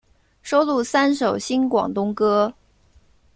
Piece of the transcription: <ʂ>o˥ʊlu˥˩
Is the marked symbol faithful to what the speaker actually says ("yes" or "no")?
yes